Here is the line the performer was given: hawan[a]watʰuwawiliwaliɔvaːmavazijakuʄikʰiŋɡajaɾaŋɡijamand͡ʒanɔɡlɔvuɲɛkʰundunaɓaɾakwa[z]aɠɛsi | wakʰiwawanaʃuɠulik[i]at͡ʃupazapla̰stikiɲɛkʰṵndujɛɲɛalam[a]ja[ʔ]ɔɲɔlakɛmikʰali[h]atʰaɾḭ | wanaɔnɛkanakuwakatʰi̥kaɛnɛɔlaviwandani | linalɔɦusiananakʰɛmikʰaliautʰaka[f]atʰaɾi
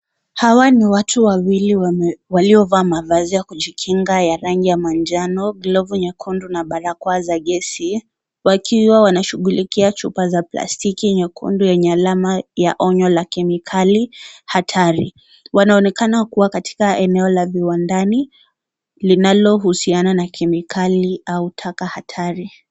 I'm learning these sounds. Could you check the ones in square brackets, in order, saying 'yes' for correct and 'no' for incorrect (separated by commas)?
no, yes, yes, yes, yes, yes, no